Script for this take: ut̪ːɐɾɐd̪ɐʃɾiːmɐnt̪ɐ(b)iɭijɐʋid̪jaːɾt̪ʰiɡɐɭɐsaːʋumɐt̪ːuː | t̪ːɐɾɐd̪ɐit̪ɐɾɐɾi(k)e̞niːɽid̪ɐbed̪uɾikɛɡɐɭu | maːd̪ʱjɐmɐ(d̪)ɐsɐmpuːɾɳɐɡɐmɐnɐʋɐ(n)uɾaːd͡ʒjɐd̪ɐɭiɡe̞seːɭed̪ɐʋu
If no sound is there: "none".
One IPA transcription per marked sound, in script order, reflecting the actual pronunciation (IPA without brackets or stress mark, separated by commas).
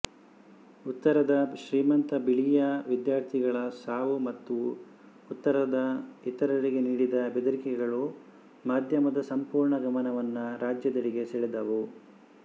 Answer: b, ɡ, d̪, nː